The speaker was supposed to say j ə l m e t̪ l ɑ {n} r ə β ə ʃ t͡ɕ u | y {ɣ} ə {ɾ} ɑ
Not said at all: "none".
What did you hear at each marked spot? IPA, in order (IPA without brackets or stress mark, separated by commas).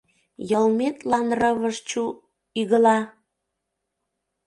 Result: n, ɣ, l